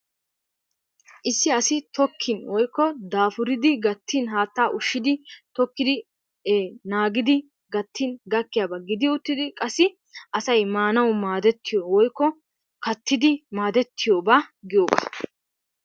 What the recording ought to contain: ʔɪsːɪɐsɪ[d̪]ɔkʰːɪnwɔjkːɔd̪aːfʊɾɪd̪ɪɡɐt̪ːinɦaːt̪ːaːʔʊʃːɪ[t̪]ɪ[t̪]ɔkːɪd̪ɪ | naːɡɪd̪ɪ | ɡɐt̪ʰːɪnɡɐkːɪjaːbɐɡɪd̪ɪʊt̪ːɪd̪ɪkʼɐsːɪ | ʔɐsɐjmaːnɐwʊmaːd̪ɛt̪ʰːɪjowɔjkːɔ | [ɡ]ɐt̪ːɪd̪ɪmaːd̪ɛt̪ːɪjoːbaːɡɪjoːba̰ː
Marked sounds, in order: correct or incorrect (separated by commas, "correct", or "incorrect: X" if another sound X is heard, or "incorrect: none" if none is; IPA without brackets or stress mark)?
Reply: incorrect: t̪, incorrect: d̪, correct, incorrect: k